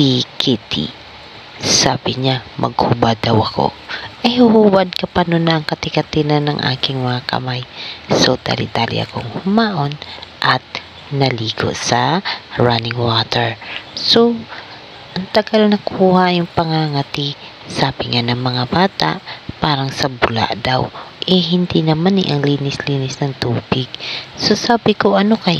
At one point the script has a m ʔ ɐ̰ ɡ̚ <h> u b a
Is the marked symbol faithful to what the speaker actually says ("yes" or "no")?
yes